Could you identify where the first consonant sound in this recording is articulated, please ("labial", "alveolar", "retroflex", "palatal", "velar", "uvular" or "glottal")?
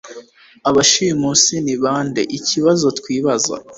labial